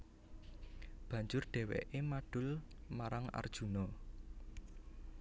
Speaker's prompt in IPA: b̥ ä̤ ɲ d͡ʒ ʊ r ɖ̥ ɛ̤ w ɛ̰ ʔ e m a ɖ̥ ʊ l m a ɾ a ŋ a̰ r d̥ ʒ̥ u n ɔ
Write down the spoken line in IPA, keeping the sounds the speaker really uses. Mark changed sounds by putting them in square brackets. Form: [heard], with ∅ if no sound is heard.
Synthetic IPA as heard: b̥ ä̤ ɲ d͡ʒ ʊ r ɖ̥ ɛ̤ w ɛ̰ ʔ e m a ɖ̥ ʊ l m a ɾ a ŋ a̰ r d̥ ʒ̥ u n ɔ